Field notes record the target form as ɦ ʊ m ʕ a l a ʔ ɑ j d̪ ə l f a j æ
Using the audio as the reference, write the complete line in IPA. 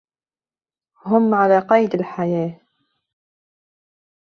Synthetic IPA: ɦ ʊ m ʕ a l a q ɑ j d̪ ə l ħ a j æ